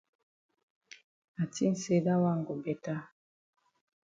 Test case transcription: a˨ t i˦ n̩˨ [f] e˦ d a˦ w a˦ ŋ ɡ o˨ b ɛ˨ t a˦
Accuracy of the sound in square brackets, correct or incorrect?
incorrect